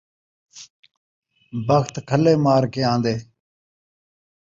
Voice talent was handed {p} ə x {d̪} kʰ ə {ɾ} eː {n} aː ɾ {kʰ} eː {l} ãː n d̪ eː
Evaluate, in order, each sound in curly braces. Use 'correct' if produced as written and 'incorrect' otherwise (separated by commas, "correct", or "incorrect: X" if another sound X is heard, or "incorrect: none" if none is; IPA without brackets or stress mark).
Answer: incorrect: b, incorrect: t̪, incorrect: l, incorrect: m, incorrect: k, incorrect: none